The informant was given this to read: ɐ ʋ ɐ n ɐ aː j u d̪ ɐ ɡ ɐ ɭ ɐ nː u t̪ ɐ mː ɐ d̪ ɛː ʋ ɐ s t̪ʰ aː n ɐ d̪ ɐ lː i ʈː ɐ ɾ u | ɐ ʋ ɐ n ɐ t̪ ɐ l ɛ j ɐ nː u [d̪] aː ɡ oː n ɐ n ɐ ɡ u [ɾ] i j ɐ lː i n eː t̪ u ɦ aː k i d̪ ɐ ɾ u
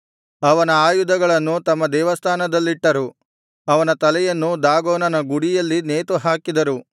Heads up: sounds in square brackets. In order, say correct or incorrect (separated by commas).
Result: correct, incorrect